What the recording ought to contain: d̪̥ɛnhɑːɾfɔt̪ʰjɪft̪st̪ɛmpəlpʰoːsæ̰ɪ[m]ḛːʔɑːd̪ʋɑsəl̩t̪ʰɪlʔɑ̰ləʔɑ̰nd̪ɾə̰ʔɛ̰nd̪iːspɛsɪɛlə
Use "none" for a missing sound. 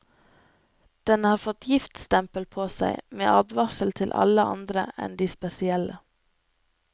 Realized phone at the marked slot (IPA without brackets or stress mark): m